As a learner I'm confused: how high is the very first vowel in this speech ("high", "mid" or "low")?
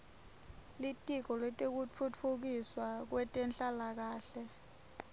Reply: high